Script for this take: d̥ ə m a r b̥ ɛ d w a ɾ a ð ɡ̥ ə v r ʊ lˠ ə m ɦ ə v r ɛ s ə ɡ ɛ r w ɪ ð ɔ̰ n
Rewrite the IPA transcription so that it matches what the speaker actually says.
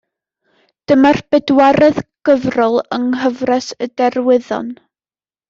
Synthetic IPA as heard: d̥ ə m a r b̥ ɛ d w a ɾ ɛ ð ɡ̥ ə v r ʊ lˠ ə ŋ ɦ ə v r ɛ s ə d ɛ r w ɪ ð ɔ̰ n